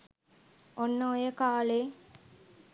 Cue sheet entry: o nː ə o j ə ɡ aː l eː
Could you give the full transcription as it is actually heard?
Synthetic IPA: o nː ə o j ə k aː l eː